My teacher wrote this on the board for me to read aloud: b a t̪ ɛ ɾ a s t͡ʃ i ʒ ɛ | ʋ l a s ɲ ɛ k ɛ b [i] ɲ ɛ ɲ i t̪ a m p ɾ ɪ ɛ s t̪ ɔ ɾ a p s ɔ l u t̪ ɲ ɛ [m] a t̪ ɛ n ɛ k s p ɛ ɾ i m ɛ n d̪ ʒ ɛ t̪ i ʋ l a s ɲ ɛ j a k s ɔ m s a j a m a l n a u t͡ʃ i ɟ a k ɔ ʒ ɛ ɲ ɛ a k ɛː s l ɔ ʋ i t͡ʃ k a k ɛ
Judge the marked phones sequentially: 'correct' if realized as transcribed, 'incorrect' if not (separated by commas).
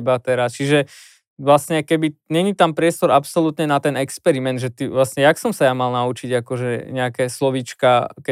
correct, incorrect